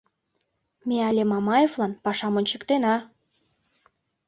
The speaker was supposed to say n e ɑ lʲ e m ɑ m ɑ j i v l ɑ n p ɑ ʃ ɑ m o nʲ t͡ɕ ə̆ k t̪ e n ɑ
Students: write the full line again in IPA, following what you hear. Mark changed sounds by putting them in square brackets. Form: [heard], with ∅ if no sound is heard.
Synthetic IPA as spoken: [m] e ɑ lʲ e m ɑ m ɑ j [e] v l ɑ n p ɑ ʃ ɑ m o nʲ t͡ɕ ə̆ k t̪ e n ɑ